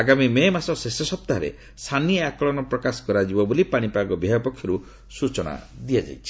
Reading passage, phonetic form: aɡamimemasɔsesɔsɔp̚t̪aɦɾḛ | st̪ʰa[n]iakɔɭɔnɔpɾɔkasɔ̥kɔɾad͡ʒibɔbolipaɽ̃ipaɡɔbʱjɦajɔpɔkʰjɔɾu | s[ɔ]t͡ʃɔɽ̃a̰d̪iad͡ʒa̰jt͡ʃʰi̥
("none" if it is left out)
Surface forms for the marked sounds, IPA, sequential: n, u

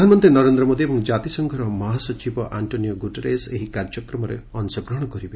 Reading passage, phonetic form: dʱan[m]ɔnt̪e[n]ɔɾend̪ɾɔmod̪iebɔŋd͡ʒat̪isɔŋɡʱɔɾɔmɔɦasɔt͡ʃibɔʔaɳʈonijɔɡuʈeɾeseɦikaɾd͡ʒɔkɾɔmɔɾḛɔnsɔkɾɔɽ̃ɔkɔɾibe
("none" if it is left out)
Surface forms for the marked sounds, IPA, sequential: m, n

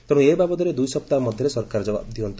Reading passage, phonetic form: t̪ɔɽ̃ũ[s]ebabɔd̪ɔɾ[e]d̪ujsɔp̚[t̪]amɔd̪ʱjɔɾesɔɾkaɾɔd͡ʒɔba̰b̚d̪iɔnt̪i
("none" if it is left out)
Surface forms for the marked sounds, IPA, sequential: none, e, t̪

